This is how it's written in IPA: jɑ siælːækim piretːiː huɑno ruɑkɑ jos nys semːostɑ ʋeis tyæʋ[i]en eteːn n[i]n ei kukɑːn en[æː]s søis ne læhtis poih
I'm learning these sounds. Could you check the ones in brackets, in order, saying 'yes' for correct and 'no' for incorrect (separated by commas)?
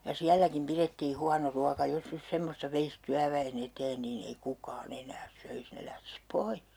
no, no, yes